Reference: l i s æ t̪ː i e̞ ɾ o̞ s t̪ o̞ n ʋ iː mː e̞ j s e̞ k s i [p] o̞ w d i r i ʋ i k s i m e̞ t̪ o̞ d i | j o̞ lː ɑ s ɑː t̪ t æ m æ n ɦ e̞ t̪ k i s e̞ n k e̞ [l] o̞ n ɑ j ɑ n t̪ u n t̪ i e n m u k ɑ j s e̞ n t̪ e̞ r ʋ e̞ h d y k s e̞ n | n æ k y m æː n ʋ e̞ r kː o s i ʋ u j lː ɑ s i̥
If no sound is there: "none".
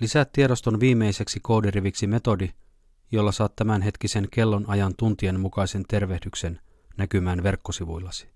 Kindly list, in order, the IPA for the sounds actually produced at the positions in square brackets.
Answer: k, lː

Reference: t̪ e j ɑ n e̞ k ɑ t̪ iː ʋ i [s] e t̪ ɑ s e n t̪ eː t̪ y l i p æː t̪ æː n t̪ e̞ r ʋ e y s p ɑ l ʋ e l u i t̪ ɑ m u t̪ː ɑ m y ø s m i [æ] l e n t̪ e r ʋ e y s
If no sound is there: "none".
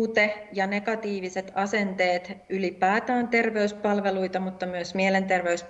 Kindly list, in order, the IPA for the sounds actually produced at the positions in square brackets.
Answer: s, e

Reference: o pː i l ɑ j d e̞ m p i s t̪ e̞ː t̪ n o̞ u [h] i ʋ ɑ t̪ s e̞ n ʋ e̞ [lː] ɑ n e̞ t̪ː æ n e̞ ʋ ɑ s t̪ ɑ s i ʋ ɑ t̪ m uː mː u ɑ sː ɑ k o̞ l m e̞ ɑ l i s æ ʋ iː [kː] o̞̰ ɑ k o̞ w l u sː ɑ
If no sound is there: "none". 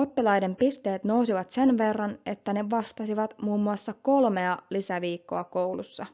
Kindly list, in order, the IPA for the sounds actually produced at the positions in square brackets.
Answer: s, rː, kː

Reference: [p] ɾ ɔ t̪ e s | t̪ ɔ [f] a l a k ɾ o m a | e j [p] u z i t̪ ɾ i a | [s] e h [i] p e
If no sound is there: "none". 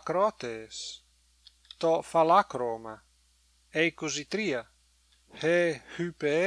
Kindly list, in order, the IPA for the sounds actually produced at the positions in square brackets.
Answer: k, f, k, h, y

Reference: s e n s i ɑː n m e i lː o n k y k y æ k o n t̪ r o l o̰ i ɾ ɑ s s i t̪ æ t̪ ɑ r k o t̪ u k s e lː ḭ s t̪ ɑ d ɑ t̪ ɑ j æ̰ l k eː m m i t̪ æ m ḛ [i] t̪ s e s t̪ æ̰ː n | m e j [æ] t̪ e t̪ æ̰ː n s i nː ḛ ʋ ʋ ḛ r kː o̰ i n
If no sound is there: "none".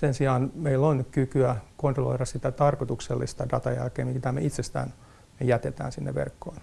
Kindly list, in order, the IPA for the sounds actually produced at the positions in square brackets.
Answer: i, æ

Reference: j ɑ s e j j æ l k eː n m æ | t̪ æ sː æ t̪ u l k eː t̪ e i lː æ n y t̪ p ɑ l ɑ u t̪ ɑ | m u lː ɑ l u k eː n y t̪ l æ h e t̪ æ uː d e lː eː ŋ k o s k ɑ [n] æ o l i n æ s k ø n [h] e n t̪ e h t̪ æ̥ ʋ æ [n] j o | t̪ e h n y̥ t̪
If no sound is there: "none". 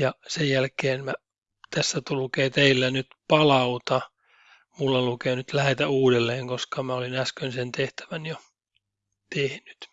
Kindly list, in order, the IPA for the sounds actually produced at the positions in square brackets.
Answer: m, s, n

